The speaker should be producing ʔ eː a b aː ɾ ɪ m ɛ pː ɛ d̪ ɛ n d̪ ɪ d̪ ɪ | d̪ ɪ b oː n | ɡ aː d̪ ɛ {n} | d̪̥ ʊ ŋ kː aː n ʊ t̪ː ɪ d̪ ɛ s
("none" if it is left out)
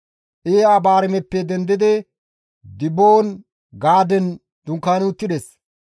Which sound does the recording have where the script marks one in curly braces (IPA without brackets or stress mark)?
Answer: n